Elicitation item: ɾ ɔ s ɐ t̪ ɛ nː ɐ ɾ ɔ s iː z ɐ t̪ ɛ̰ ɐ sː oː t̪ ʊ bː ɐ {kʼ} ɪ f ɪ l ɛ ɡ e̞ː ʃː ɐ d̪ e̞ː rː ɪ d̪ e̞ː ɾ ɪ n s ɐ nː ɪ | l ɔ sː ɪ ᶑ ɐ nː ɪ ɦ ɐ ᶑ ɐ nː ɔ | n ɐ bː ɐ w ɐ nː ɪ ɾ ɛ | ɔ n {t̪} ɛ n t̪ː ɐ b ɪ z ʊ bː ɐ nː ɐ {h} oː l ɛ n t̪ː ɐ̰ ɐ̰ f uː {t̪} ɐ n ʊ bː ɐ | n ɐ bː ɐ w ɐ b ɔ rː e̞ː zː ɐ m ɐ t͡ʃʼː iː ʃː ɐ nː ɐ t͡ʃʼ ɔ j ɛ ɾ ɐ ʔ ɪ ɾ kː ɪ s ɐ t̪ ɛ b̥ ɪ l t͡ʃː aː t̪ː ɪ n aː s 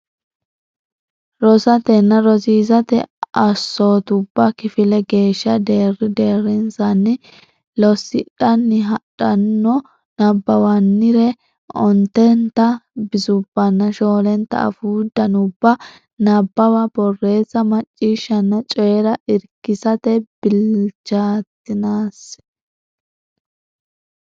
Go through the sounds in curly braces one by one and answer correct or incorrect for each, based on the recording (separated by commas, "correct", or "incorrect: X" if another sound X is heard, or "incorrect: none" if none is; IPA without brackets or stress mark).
incorrect: k, correct, incorrect: ʃ, incorrect: d̪